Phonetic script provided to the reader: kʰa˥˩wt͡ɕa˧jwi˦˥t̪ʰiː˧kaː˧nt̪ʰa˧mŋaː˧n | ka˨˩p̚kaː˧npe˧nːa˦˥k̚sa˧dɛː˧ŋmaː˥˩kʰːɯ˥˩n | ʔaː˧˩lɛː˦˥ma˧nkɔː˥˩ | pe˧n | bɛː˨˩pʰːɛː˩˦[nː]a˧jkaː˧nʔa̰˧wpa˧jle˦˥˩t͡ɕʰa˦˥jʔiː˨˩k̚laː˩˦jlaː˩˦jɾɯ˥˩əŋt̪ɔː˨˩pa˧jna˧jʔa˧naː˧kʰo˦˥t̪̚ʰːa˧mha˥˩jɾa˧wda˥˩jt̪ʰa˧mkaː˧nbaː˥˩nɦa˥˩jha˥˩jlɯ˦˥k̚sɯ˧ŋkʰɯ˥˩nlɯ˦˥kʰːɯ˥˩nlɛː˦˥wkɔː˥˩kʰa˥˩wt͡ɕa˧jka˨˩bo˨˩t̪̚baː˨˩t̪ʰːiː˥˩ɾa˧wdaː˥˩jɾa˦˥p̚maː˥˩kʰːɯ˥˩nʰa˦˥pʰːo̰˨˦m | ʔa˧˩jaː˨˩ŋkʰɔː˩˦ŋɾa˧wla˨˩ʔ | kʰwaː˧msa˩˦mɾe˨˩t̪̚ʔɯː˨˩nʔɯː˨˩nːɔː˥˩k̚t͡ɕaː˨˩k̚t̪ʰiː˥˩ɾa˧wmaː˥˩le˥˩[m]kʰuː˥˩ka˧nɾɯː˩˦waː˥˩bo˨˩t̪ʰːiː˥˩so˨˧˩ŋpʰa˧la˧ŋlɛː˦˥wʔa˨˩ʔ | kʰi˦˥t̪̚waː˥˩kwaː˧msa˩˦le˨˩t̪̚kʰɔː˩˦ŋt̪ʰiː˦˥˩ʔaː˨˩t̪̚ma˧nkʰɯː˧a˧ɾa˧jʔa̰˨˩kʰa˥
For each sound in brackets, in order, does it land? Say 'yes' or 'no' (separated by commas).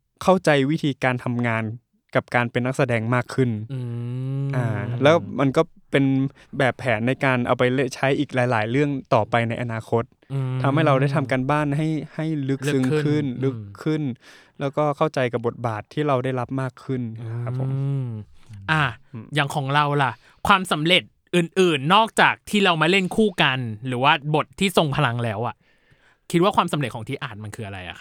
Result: yes, no